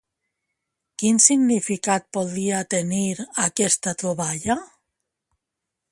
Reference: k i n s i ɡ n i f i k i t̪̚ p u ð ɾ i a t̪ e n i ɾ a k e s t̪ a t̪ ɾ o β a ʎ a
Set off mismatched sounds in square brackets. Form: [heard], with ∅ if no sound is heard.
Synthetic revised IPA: k i n s i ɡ n i f i k [a] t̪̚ p [o] ð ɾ i a t̪ e n i ɾ a k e s t̪ a t̪ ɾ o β a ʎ a